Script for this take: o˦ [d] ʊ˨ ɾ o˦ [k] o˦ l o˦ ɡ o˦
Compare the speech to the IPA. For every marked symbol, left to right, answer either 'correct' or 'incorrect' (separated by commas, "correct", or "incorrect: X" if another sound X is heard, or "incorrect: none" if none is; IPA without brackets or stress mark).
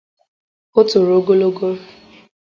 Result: incorrect: t, incorrect: ɡ